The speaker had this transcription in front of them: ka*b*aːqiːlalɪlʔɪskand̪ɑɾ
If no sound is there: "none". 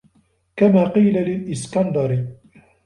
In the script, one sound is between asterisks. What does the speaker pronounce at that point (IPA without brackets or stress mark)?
m